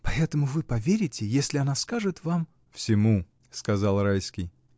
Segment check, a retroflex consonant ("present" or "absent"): present